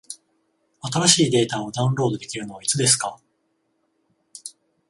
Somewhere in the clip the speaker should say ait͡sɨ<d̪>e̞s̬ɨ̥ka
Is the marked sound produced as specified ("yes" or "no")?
yes